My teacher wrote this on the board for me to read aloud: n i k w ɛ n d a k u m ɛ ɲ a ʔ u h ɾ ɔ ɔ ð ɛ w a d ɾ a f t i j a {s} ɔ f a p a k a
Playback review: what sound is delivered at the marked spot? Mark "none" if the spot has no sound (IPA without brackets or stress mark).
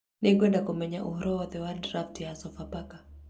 s